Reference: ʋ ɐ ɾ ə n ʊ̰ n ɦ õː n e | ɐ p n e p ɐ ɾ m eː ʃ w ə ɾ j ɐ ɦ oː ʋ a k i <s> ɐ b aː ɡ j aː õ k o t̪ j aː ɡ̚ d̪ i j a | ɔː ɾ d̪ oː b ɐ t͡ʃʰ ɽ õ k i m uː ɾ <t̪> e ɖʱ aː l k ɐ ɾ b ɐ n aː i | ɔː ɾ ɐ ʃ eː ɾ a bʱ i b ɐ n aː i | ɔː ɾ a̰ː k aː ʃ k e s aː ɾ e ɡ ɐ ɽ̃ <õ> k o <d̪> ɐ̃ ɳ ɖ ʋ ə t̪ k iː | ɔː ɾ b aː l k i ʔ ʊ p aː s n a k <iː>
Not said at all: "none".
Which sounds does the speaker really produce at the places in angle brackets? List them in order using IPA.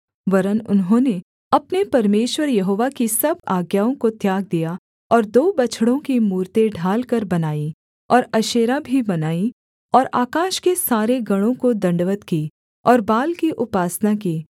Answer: s, t̪, õ, d̪, iː

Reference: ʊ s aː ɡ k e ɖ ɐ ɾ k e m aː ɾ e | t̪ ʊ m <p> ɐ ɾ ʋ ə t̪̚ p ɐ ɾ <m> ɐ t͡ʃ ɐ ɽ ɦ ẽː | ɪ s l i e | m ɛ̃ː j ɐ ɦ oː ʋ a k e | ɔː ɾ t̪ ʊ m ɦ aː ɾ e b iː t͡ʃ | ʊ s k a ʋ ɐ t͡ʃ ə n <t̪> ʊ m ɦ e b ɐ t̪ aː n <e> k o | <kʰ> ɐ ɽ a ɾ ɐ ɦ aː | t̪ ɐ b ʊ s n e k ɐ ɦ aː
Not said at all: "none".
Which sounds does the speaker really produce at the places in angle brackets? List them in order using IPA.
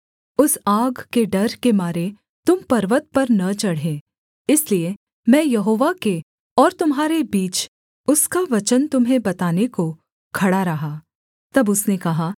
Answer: p, n, t̪, e, kʰ

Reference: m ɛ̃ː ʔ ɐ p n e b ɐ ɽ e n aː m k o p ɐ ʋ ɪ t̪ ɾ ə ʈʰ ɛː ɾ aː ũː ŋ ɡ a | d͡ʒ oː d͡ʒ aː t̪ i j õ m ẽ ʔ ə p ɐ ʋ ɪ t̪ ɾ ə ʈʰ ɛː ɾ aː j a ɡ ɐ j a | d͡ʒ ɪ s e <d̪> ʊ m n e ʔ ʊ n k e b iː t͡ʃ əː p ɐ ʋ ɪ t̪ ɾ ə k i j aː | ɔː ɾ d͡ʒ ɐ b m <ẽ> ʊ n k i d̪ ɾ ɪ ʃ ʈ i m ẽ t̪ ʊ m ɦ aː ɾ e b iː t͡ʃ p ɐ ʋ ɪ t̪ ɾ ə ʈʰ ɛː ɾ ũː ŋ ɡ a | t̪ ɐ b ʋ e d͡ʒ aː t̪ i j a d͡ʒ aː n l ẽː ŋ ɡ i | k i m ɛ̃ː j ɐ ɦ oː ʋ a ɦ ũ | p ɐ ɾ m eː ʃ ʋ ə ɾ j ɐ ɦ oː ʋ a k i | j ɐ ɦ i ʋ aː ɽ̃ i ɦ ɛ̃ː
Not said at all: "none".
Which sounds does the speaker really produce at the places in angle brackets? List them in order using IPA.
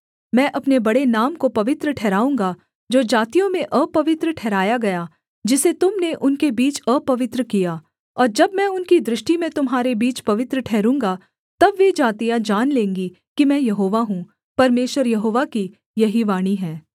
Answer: t̪, ɛ̃

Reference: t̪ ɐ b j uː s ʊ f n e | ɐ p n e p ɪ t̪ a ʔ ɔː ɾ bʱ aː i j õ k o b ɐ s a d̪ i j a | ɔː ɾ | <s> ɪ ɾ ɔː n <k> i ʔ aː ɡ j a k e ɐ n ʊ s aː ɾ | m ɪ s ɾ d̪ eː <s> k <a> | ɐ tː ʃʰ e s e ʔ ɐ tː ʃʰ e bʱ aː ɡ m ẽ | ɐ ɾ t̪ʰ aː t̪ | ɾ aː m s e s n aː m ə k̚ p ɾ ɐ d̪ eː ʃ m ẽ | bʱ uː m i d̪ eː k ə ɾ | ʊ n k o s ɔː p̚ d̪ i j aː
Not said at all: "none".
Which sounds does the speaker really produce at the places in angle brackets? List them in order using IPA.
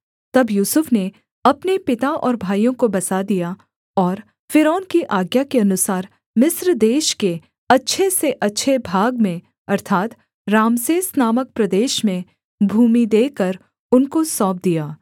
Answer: f, k, ʃ, e

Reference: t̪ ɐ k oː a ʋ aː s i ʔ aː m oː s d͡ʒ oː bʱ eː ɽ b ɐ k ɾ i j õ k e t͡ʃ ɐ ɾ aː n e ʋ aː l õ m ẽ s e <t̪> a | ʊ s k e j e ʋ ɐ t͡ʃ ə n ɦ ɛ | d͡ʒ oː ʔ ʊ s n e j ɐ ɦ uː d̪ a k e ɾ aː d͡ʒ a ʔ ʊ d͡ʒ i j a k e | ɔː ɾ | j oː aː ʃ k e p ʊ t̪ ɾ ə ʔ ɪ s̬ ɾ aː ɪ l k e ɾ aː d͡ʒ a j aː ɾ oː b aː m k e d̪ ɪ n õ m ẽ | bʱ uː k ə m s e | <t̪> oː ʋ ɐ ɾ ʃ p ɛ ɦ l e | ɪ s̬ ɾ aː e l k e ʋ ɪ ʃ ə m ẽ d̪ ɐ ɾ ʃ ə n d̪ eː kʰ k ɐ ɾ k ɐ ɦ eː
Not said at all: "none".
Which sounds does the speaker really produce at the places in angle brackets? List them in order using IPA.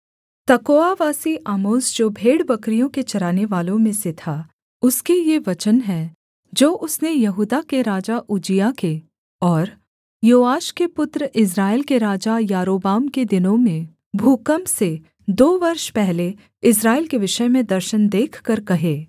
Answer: t̪ʰ, d̪

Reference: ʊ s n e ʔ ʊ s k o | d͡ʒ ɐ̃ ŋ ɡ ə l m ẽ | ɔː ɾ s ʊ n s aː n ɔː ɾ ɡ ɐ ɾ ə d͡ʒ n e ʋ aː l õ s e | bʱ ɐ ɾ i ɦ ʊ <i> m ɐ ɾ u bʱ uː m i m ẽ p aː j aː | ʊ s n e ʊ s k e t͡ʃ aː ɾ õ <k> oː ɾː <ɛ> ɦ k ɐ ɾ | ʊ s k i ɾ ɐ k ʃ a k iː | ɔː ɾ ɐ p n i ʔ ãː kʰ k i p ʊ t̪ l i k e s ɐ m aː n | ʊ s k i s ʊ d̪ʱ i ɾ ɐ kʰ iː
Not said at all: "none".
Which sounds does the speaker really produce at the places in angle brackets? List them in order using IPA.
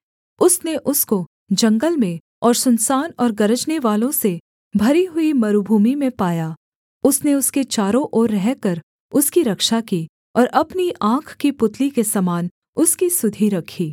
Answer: i, ʔ, ɛ

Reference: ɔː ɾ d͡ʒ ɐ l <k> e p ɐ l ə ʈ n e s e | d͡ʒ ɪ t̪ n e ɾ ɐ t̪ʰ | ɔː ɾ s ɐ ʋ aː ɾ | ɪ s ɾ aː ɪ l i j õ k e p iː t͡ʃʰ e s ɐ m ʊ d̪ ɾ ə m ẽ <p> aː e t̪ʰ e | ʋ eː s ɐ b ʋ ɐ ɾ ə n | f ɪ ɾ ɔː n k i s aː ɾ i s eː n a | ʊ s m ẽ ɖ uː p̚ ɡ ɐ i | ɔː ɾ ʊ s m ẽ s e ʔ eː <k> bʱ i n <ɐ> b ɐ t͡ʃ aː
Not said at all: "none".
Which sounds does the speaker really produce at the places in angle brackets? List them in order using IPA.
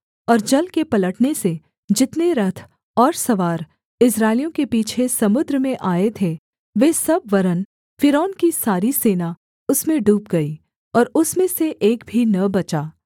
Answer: k, ʔ, k, ɐ

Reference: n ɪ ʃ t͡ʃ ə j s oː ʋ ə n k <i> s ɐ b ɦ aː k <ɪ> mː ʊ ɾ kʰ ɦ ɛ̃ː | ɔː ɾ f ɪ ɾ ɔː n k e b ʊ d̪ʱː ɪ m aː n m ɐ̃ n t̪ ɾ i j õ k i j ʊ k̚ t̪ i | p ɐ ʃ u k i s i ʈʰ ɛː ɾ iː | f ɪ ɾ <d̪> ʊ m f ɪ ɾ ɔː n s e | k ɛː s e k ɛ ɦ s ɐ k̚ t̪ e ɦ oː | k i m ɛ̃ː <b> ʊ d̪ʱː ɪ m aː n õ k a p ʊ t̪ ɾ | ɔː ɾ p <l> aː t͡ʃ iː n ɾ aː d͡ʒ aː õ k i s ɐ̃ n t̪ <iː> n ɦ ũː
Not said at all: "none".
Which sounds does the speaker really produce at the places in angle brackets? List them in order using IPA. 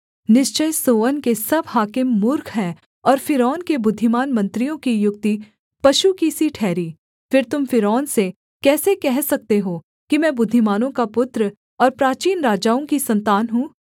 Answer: e, ɪ, t̪, b, ɾ, aː

